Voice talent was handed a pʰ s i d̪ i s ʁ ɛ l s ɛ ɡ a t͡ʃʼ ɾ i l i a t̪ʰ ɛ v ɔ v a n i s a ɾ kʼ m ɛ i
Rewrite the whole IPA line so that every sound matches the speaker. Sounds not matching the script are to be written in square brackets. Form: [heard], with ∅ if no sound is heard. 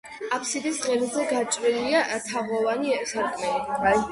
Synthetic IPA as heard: a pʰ s i d̪ i s ʁ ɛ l [z] ɛ ɡ a t͡ʃʼ ɾ i l i a t̪ʰ [a] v ɔ v a n i s a ɾ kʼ m ɛ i